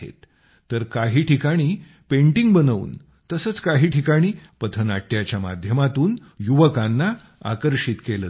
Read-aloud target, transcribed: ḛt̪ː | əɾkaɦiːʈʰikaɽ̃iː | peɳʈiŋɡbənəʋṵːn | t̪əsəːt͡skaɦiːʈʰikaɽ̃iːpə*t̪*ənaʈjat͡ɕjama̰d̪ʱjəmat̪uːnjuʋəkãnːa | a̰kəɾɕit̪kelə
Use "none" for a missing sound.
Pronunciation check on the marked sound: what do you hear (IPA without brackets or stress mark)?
t̪ʰ